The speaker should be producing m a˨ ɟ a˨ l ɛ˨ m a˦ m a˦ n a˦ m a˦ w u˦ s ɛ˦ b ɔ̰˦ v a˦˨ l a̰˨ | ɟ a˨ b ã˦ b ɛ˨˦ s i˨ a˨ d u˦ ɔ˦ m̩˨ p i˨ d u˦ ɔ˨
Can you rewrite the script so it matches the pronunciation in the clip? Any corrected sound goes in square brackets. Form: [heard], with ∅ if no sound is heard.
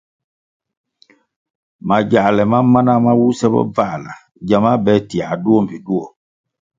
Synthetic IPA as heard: m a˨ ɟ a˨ l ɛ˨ m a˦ m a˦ n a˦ m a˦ w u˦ s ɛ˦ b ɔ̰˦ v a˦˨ l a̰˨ | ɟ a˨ [m] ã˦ b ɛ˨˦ [t] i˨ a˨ d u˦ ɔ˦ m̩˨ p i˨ d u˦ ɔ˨